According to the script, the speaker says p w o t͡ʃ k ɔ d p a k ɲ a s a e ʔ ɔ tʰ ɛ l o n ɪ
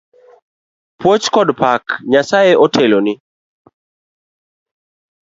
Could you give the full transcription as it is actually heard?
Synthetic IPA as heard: p w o t͡ʃ k ɔ d p a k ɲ a s a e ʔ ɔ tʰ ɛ l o n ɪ